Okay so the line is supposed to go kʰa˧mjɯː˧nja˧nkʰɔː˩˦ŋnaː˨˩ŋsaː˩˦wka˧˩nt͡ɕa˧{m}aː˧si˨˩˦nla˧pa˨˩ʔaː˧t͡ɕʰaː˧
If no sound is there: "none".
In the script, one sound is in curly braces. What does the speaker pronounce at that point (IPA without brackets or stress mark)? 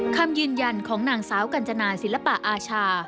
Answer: n